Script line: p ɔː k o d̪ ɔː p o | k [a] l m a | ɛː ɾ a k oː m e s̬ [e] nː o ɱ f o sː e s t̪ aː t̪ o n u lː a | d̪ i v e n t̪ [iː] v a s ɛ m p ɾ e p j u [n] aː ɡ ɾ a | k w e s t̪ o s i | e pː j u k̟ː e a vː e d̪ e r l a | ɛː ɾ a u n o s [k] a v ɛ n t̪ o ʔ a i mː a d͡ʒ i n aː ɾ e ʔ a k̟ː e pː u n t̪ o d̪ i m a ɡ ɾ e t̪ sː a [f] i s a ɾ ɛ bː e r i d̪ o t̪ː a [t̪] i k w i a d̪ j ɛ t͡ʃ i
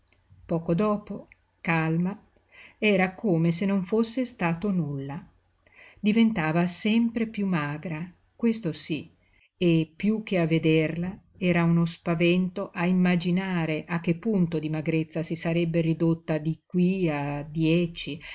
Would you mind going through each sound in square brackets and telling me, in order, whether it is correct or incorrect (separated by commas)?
correct, correct, incorrect, incorrect, incorrect, incorrect, incorrect